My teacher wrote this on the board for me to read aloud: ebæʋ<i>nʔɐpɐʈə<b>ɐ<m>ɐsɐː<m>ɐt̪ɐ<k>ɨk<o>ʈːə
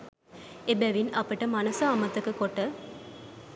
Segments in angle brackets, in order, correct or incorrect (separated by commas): correct, incorrect, incorrect, correct, correct, correct